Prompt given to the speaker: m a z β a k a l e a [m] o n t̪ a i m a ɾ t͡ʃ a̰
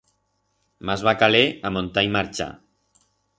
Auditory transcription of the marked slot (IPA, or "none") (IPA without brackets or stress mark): m